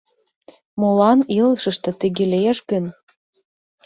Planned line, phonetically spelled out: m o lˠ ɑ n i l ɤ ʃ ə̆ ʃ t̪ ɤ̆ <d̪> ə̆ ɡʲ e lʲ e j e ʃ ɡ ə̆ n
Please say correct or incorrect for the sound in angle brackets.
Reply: incorrect